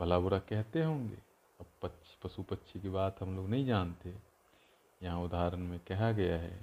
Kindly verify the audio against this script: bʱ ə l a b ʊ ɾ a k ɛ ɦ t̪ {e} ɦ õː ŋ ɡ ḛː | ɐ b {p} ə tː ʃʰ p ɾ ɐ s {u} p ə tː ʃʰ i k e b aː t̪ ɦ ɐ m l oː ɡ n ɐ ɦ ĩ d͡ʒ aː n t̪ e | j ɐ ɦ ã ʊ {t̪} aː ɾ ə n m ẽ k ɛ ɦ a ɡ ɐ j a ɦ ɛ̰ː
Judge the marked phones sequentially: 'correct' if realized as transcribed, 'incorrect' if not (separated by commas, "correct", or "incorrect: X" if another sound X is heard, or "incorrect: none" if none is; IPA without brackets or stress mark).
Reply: correct, correct, correct, incorrect: d̪